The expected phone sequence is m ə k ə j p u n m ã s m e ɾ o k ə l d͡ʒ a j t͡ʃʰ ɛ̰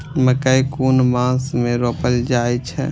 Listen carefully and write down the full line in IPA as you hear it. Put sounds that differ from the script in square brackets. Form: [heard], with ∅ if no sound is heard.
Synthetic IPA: m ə k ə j [k] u n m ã s m e ɾ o [p] ə l d͡ʒ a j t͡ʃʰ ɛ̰